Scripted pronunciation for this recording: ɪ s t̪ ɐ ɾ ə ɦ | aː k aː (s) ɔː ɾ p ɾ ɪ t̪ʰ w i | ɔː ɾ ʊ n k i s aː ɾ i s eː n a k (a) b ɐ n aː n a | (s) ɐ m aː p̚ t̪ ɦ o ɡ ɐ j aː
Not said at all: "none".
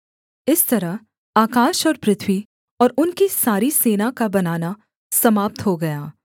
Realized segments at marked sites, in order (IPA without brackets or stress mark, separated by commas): ʃ, a, s